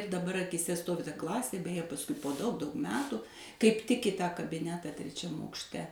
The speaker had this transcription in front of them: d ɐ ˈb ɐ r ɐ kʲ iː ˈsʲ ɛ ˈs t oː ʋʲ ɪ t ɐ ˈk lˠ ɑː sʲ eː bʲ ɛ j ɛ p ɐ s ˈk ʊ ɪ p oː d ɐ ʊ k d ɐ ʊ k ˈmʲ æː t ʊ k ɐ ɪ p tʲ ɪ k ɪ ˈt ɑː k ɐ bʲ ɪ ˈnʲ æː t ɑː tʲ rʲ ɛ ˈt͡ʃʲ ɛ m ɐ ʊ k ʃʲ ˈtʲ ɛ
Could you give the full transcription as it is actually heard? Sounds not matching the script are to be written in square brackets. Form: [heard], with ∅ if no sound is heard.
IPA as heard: d ɐ ˈb ɐ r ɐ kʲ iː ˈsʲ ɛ ˈs t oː ʋʲ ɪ t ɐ ˈk lˠ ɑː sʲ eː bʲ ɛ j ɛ p ɐ s ˈk ʊ ɪ p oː d ɐ ʊ k d ɐ ʊ k ˈmʲ æː t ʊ k ɐ ɪ p tʲ ɪ k ɪ ˈt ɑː k ɐ bʲ ɪ ˈnʲ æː t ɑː tʲ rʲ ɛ ˈt͡ʃʲ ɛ m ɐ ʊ k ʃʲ ˈtʲ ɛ